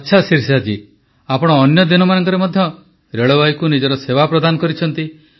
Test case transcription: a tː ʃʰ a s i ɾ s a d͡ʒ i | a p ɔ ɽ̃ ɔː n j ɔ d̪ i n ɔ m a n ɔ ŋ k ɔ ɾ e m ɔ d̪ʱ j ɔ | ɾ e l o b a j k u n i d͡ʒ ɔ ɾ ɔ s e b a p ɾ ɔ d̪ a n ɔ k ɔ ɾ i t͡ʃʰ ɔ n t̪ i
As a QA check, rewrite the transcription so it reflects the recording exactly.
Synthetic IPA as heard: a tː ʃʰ a s i ɾ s a d͡ʒ i | a p ɔ ɽ̃ ɔː n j ɔ d̪ i n ɔ m a n ɔ ŋ k ɔ ɾ e m ɔ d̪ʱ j ɔ | ɾ e ɭ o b a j k u n i d͡ʒ ɔ ɾ ɔ s e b a p ɾ ɔ d̪ a n ɔ k ɔ ɾ i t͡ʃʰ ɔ n t̪ i